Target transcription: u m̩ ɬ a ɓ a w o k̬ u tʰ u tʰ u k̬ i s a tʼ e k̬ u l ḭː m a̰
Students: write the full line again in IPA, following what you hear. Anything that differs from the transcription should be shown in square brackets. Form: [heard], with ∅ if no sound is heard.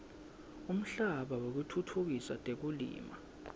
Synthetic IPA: u m̩ ɬ a ɓ a w o k̬ u tʰ u tʰ u k̬ i s a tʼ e k̬ u l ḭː m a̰